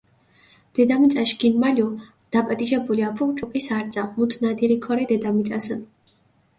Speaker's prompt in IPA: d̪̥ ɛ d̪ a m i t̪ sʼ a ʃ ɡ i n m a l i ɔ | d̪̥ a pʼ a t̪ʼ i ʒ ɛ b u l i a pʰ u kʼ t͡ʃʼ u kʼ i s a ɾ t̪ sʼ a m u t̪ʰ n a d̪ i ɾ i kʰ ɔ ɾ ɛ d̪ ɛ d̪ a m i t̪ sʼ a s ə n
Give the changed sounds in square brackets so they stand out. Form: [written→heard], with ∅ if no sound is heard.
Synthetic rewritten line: d̪̥ ɛ d̪ a m i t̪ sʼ a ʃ ɡ i n m a l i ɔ | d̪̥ a pʼ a t̪ʼ i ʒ ɛ b u l i a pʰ u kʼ t͡ʃʼ u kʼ i s a ɾ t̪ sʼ a m u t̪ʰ n a d̪ i ɾ i kʰ ɔ ɾ ɛ d̪ ɛ d̪ a m i t̪ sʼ a s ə n

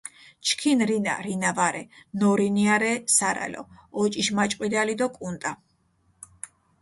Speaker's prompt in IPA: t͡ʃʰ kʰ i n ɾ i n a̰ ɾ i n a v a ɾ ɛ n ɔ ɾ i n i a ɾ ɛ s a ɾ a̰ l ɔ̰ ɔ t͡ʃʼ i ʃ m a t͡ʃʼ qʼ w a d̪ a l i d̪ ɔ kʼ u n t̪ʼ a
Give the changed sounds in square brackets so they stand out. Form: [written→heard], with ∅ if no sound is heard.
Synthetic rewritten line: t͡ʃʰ kʰ i n ɾ i n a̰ ɾ i n a v a ɾ ɛ n ɔ ɾ i n i a ɾ ɛ s a ɾ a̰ l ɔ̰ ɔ t͡ʃʼ i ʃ m a t͡ʃʼ qʼ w [a→i] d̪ a l i d̪ ɔ kʼ u n t̪ʼ a

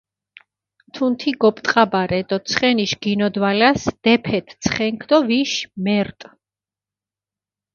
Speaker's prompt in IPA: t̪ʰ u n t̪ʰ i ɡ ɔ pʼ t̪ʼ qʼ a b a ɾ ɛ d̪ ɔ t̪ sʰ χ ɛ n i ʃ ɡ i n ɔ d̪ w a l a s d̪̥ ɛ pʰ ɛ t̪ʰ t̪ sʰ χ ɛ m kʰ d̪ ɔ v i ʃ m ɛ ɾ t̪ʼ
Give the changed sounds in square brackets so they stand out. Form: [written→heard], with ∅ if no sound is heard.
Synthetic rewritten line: t̪ʰ u n t̪ʰ i ɡ ɔ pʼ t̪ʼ qʼ a b a ɾ ɛ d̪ ɔ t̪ sʰ χ ɛ n i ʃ ɡ i n ɔ d̪ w a l a s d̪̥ ɛ pʰ ɛ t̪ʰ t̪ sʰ χ ɛ [m→ŋ] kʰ d̪ ɔ v i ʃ m ɛ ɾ t̪ʼ

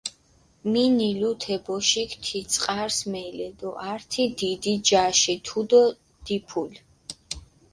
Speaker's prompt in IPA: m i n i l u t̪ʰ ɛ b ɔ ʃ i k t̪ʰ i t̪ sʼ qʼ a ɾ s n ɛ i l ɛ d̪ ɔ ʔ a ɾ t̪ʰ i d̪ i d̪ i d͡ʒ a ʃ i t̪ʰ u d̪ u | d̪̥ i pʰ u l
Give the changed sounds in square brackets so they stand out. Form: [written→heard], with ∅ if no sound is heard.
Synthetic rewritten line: m i n i l u t̪ʰ ɛ b ɔ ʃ i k t̪ʰ i t̪ sʼ qʼ a ɾ s [n→m] ɛ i l ɛ d̪ ɔ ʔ a ɾ t̪ʰ i d̪ i d̪ i d͡ʒ a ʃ i t̪ʰ u d̪ [u→ɔ] | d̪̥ i pʰ u l

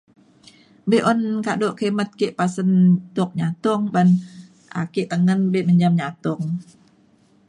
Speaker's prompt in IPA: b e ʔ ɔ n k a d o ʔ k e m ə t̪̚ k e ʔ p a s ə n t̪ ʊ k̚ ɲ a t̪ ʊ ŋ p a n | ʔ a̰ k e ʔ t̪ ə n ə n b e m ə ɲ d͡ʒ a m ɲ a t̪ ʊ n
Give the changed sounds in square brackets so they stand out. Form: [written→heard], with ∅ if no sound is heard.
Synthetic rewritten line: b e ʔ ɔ n k a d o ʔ k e m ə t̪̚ k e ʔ p a s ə n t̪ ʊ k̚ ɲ a t̪ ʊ ŋ [p→b] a n | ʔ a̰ k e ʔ t̪ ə [n→ŋ] ə n b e m ə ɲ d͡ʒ a m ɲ a t̪ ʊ [n→ŋ]

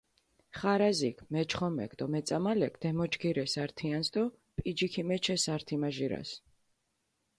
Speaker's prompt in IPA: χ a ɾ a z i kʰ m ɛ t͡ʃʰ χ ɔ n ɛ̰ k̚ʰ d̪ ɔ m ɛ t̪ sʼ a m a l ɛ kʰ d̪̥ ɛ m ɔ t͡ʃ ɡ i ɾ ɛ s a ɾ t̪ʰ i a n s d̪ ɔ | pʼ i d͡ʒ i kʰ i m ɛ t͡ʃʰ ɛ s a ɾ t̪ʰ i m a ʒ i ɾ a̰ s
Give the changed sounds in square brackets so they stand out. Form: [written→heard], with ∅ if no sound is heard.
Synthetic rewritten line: χ a ɾ a z i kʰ m ɛ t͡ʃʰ χ ɔ [n→m] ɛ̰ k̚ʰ d̪ ɔ m ɛ t̪ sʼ a m a l ɛ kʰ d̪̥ ɛ m ɔ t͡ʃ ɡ i ɾ ɛ s a ɾ t̪ʰ i a n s d̪ ɔ | pʼ i d͡ʒ i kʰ i m ɛ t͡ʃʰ ɛ s a ɾ t̪ʰ i m a ʒ i ɾ a̰ s

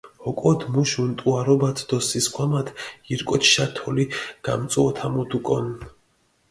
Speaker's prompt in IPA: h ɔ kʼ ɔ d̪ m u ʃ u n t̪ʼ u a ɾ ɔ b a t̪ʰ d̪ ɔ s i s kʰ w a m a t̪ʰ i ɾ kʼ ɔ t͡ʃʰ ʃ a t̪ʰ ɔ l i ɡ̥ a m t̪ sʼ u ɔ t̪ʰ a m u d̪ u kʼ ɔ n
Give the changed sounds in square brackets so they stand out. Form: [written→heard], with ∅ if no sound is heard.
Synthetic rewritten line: h ɔ kʼ ɔ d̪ m u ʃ u n t̪ʼ u a ɾ ɔ b a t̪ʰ d̪ ɔ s i s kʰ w a m a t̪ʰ i ɾ kʼ ɔ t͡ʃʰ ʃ a t̪ʰ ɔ l i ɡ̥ a m t̪ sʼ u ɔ t̪ʰ a m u d̪ u kʼ ɔ n

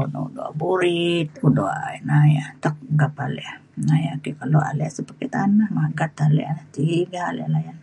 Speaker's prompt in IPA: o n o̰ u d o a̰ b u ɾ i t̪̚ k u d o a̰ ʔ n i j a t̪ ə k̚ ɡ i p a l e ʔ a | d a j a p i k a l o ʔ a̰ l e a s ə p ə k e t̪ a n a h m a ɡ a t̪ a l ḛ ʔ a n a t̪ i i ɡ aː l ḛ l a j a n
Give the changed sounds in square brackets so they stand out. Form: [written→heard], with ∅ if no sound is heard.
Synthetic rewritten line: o n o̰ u d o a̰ b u ɾ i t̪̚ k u d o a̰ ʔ n [i→a] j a t̪ ə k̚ ɡ [i→a] p a l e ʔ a | [d→n] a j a [p→k] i k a l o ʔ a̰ l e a s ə p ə k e t̪ a n a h m a ɡ a t̪ a l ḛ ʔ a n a t̪ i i ɡ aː l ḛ l a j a n

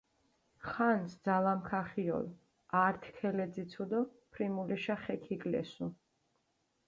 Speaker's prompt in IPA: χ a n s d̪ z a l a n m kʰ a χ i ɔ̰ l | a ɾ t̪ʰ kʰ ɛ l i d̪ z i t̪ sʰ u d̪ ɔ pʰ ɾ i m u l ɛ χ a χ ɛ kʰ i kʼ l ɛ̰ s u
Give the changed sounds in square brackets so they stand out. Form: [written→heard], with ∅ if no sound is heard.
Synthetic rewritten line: χ a n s d̪ z a l a [n→∅] m kʰ a χ i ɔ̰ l | a ɾ t̪ʰ kʰ ɛ l [i→ɛ] d̪ z i t̪ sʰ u d̪ ɔ pʰ ɾ i m u l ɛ [χ→ʃ] a χ ɛ kʰ i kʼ l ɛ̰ s u

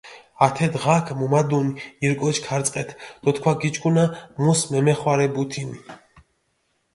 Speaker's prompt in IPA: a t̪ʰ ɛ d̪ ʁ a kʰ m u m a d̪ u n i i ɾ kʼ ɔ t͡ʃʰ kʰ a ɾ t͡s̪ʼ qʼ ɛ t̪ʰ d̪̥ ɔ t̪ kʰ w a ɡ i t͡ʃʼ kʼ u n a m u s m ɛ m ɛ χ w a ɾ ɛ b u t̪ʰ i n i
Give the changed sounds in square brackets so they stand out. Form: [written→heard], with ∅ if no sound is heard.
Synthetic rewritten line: a t̪ʰ ɛ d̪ ʁ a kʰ m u m a d̪ u n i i ɾ kʼ ɔ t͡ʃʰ kʰ a ɾ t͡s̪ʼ qʼ ɛ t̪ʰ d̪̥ ɔ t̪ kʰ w a ɡ i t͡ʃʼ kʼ u n a m u s m ɛ m ɛ χ w a ɾ ɛ b u t̪ʰ i n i

